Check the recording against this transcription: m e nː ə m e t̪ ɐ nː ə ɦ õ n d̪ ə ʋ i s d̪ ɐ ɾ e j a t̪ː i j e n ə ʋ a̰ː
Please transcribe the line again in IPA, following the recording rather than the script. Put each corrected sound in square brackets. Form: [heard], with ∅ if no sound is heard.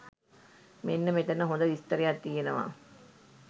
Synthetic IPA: m e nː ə m e t̪ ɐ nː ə ɦ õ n d̪ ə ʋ i s [t̪] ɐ ɾ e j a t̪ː i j e n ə ʋ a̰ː